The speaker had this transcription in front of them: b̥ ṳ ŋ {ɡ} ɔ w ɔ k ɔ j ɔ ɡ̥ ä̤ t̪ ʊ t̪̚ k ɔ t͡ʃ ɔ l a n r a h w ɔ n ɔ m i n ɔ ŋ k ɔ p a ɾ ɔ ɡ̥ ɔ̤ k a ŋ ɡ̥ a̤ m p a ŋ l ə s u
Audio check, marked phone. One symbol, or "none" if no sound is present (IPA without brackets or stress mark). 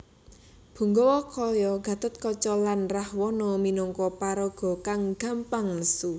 ɡ